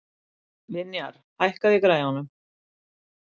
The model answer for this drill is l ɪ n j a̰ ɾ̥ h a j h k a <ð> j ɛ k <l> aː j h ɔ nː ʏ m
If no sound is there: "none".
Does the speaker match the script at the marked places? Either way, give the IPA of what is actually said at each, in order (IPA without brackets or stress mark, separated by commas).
ð, ɾ